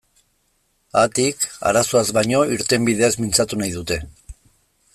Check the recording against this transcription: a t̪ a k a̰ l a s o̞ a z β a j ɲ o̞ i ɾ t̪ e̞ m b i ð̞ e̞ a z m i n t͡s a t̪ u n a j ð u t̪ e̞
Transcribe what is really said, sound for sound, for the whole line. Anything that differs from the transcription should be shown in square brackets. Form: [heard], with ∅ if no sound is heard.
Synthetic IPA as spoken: a t̪ [i] k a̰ [ɾ] a s o̞ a z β a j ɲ o̞ i ɾ t̪ e̞ m b i ð̞ e̞ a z m i n t͡s a t̪ u n a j ð u t̪ e̞